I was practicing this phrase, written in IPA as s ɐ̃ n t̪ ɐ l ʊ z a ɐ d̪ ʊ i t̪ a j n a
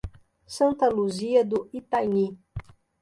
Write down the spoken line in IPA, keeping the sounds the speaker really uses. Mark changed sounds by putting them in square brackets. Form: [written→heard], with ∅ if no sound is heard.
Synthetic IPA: s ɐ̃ n t̪ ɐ l [ʊ→u] z [a→i] ɐ d̪ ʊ i t̪ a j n [a→i]